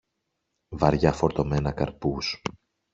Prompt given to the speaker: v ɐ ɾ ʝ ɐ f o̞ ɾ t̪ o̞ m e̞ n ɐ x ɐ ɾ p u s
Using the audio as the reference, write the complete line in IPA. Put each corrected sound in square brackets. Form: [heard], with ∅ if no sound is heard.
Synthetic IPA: v ɐ ɾ ʝ ɐ f o̞ ɾ t̪ o̞ m e̞ n ɐ [k] ɐ ɾ p u s